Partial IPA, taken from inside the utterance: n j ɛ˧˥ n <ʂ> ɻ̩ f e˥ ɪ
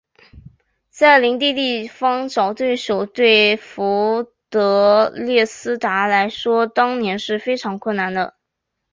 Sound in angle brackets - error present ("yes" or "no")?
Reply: no